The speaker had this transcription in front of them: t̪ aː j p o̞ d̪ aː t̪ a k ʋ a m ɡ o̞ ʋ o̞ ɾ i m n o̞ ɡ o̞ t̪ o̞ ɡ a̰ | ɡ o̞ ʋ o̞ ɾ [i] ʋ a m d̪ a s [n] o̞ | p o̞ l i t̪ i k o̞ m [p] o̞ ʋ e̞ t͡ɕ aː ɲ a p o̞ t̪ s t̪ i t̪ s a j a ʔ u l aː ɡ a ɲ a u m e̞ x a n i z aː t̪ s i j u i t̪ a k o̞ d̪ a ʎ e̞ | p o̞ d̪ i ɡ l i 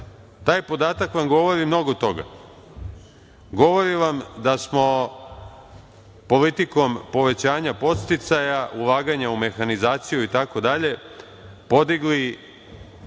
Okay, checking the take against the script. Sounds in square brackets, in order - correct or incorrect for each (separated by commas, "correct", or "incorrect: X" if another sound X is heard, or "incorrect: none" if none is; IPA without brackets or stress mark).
correct, incorrect: m, correct